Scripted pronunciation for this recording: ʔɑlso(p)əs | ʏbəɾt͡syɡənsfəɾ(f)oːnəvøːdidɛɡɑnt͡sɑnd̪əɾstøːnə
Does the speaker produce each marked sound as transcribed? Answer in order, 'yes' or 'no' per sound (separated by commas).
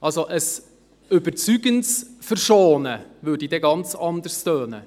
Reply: no, no